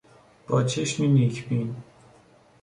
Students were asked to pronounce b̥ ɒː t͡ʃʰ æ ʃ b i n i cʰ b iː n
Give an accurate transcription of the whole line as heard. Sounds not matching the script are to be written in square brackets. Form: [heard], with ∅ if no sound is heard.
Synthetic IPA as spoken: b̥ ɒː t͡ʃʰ [e] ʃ [m] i n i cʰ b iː n